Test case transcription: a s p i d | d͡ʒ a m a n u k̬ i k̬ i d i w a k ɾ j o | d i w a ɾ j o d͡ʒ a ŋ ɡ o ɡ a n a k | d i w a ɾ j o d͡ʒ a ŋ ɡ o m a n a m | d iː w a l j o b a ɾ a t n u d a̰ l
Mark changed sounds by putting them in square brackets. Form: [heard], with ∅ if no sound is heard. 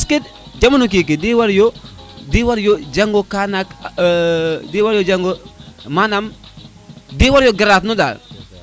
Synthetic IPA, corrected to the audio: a s [k] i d | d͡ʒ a m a n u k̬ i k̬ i d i w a [∅] ɾ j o | d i w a ɾ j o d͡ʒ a ŋ ɡ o [k] a n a k | d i w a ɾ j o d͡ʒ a ŋ ɡ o m a n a m | d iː w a [ɾ] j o [ɡ] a ɾ a t n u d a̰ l